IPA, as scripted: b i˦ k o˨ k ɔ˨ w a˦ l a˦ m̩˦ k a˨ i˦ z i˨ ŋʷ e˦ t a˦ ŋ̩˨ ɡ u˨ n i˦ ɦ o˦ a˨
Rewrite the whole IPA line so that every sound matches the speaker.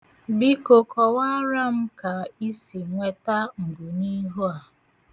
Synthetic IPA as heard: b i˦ k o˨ k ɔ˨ w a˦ ɾ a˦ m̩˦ k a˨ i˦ s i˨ ŋʷ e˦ t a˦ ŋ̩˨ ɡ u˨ n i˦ ɦ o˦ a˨